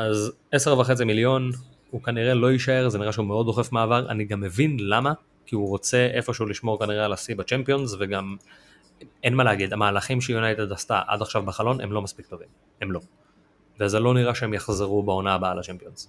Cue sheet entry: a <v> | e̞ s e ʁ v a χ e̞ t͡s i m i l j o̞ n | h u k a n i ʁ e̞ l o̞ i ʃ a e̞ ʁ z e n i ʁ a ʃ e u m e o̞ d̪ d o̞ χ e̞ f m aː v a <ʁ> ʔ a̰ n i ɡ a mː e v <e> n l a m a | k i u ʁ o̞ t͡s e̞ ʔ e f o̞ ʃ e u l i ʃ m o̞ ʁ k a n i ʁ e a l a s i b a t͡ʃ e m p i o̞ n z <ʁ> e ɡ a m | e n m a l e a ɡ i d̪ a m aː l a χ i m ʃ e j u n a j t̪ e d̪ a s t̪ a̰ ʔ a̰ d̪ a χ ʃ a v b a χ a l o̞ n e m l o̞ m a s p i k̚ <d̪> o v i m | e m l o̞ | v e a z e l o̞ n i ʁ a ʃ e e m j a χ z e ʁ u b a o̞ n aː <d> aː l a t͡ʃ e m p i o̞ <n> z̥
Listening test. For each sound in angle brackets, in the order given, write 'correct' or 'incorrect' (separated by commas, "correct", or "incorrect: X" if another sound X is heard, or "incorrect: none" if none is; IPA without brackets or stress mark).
incorrect: z, correct, incorrect: i, incorrect: v, incorrect: t̪, incorrect: b, correct